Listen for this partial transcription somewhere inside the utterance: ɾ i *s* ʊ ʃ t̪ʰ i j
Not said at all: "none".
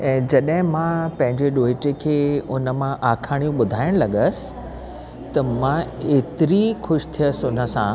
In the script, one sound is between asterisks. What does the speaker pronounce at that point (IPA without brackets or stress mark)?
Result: x